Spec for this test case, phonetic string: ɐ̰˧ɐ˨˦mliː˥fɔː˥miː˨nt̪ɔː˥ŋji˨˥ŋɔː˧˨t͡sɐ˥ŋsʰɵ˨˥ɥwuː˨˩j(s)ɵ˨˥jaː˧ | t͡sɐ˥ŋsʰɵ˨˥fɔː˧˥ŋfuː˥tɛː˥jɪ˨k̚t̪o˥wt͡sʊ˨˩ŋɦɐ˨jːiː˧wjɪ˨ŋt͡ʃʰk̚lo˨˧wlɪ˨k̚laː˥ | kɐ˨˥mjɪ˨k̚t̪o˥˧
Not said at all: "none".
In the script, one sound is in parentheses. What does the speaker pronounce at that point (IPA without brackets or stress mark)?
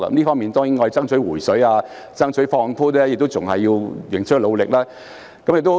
s